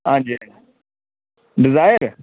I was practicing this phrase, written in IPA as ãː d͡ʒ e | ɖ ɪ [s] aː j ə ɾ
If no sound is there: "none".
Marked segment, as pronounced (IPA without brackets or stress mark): z